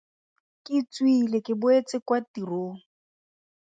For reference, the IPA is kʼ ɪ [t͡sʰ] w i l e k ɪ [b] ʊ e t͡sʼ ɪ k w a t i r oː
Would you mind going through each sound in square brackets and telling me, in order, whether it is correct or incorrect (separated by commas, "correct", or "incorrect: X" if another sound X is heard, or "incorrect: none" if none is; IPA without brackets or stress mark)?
incorrect: t͡s, correct